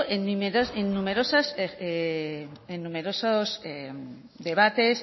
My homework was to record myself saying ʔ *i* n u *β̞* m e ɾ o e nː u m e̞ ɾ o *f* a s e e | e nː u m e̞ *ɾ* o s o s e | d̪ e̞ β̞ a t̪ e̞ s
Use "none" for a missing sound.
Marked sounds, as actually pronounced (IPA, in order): e, none, s, ɾ

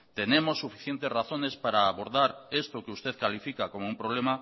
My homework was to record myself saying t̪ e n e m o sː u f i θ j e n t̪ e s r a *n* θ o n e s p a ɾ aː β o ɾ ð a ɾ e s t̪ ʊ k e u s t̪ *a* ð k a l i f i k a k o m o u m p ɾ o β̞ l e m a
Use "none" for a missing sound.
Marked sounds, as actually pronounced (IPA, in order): none, e

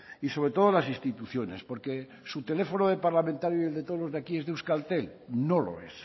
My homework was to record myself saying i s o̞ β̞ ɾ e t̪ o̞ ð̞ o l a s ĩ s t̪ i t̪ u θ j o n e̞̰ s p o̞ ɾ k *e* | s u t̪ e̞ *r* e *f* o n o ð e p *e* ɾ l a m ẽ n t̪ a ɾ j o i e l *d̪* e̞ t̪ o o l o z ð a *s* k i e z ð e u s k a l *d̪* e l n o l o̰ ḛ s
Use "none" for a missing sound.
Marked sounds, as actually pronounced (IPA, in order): e, l, f, a, d̪, none, t̪

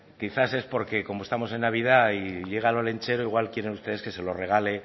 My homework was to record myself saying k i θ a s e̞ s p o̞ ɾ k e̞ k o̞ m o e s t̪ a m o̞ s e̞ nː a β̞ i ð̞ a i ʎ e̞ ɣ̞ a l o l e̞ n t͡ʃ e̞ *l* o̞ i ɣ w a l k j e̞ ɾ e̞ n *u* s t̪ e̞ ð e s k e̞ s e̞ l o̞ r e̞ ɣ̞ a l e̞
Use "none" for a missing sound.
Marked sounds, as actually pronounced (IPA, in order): ɾ, u

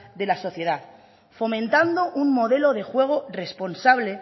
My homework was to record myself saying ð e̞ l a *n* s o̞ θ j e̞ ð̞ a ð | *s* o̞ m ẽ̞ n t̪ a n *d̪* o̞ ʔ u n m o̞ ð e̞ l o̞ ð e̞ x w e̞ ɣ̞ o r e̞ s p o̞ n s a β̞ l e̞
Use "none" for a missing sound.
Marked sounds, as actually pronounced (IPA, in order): none, f, d̪

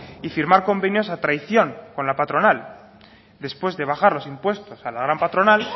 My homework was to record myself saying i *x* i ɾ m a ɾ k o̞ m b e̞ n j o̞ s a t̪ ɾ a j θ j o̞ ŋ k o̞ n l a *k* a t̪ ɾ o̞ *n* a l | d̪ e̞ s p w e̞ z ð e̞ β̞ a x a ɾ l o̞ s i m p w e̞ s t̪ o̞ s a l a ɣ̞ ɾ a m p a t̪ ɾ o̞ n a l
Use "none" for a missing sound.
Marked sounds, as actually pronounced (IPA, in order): f, p, n

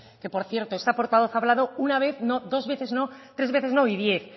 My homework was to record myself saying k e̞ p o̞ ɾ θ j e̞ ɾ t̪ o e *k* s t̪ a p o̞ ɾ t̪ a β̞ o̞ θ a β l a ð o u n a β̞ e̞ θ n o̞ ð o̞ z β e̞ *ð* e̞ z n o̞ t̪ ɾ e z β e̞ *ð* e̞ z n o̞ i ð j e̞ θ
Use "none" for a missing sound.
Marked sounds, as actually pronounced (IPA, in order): none, θ, θ

